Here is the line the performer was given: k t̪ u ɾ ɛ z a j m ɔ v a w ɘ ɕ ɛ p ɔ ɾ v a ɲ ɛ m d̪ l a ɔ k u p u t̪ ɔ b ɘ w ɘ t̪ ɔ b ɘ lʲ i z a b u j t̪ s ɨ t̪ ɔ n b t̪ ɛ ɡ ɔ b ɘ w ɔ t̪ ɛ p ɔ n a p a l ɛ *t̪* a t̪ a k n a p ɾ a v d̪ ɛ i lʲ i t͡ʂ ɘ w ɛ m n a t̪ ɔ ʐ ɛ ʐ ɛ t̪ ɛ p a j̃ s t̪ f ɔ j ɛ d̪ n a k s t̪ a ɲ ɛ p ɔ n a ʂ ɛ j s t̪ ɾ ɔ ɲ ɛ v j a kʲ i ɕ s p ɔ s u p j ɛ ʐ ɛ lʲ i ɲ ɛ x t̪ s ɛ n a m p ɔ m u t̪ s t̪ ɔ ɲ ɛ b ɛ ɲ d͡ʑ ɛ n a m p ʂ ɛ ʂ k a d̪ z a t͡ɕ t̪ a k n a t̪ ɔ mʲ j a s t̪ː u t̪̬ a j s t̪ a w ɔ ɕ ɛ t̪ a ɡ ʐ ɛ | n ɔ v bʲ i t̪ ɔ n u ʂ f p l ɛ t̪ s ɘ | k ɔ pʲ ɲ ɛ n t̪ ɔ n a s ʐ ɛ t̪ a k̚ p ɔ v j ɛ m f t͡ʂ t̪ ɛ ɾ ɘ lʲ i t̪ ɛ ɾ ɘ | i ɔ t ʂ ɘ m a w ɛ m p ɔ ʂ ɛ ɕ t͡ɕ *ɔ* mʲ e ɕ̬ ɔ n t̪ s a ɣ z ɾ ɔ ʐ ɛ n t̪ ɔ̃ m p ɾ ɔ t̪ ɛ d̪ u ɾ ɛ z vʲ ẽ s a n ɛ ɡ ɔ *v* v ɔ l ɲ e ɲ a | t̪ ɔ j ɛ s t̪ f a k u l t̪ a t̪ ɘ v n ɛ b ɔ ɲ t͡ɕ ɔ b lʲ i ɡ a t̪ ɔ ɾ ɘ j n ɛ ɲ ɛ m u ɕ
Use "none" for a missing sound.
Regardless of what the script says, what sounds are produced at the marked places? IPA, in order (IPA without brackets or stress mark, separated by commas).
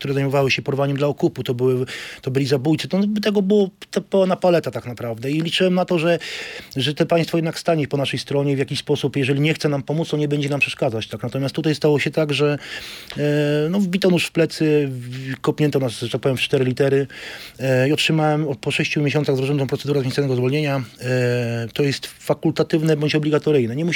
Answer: t̪, u, z